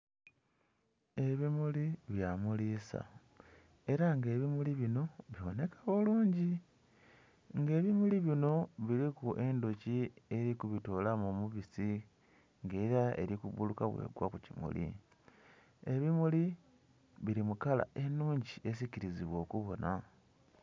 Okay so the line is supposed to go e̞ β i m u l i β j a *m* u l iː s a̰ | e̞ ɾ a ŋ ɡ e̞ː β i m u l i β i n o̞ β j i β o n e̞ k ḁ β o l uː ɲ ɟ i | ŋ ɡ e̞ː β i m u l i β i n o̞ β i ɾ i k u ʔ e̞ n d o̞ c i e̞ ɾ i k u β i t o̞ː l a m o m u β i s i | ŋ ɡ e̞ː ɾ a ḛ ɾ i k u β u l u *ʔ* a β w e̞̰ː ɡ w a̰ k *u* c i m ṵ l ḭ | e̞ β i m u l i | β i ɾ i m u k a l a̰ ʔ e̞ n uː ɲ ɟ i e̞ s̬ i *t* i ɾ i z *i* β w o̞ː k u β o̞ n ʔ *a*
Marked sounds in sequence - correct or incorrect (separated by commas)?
correct, incorrect, correct, incorrect, correct, correct